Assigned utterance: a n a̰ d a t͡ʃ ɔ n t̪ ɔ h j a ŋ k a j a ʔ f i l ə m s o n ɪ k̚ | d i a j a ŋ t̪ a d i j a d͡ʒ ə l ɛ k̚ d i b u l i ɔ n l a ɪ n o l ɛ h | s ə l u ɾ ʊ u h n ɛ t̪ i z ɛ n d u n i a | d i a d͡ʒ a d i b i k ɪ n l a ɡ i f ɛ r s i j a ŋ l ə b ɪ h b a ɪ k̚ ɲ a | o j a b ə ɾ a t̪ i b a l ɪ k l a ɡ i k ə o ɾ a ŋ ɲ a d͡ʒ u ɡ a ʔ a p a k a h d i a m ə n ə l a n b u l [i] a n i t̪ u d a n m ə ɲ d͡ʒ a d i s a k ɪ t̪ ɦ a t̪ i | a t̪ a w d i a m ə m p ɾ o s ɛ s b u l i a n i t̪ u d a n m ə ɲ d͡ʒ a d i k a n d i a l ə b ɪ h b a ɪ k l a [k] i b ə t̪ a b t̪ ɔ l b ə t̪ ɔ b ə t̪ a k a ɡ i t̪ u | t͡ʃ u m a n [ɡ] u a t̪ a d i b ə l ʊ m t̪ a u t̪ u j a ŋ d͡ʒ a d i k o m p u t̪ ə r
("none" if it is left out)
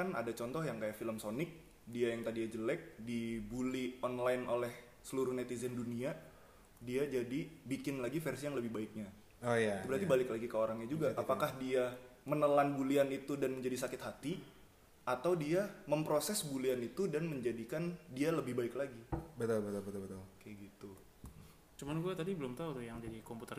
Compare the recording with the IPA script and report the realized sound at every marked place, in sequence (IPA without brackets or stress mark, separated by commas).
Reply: i, ɡ, ɡ